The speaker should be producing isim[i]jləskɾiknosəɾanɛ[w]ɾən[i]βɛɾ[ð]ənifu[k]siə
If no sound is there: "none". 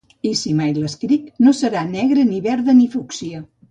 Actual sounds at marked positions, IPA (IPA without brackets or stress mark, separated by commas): a, ɣ, i, ð, k